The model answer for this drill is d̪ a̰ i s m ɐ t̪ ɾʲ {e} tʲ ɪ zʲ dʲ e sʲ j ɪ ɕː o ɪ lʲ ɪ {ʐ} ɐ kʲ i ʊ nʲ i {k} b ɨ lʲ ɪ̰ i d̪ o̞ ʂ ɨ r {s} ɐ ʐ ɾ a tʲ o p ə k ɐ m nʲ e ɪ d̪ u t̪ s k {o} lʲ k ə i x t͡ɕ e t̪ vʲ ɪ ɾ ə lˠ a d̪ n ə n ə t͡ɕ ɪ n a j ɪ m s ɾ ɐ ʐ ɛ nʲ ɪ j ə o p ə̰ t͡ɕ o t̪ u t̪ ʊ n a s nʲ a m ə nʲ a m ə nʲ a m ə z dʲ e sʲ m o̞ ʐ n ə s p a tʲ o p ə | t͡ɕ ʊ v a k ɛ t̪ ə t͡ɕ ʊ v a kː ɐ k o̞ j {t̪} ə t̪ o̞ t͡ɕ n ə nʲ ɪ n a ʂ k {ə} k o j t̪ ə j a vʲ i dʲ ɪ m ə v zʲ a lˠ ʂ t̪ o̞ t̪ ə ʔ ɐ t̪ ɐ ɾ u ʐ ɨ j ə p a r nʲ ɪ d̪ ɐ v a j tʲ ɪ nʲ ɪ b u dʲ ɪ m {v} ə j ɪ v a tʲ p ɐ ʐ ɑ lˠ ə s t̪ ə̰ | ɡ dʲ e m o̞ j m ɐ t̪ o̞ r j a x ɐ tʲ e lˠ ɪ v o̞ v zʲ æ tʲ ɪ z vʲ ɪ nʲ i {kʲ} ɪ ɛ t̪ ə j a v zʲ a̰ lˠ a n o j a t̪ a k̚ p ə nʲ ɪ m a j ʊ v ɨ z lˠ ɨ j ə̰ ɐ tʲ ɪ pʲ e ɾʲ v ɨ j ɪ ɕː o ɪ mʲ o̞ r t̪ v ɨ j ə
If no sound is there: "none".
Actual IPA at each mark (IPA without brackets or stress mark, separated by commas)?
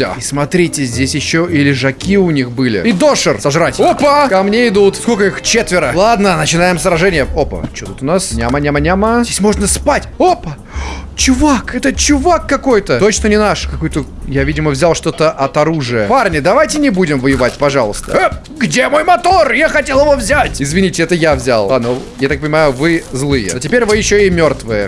i, ʐ, x, s, o, t̪, ɐ, v, tʲ